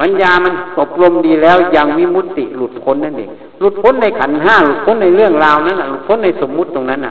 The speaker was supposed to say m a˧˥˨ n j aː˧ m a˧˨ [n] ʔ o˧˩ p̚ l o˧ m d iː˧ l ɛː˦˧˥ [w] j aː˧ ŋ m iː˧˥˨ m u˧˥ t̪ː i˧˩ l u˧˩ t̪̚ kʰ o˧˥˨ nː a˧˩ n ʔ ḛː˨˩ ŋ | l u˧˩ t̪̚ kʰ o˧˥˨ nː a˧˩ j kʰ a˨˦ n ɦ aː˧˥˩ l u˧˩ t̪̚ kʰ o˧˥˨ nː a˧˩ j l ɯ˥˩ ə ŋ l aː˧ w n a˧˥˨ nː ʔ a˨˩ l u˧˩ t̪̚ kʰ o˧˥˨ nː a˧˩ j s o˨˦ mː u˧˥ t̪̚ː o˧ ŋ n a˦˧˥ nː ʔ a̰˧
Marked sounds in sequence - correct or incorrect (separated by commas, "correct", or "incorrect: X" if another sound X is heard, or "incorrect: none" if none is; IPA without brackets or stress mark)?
correct, correct